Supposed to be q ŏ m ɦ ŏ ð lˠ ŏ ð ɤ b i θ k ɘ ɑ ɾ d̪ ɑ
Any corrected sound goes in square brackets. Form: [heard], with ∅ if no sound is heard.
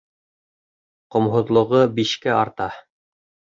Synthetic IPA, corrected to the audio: q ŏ m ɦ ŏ ð lˠ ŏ [ʁ] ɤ b i [ʃ] k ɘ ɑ ɾ [t̪] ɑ